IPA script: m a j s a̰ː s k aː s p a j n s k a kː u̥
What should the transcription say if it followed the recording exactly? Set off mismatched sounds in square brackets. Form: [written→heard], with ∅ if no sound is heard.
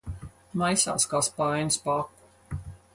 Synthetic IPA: m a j s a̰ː s k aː s p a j n s [k→p] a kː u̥